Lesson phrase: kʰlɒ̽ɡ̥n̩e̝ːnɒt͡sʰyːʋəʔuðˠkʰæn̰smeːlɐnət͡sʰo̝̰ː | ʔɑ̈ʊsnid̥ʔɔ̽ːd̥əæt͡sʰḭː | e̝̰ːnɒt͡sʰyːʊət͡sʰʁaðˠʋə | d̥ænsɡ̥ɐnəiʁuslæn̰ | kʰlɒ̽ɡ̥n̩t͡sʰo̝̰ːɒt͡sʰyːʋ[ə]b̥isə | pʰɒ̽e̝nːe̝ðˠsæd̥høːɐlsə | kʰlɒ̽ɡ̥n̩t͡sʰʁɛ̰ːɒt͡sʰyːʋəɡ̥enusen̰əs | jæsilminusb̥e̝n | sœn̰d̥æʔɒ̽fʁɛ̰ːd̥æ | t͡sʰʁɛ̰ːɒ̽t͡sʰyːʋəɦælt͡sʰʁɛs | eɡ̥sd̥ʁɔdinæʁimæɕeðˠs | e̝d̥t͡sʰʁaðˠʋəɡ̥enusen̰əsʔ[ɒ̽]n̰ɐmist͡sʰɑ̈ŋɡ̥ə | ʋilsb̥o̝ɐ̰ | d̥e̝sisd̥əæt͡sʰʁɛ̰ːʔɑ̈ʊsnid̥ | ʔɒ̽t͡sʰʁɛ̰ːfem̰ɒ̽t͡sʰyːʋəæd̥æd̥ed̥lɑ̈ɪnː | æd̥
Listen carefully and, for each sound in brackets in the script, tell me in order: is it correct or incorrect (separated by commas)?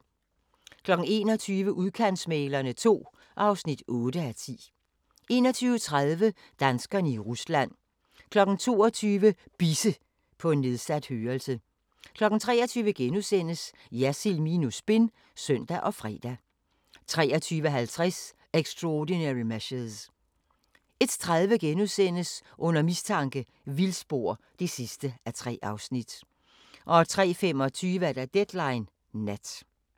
correct, incorrect